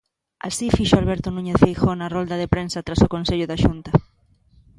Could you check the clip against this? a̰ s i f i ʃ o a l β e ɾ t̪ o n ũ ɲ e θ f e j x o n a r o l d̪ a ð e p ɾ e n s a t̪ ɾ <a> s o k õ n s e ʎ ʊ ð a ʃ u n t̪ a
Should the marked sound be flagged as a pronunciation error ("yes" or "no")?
no